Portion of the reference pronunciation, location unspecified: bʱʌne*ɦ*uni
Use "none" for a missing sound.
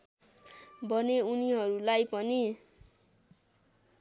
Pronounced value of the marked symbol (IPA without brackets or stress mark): none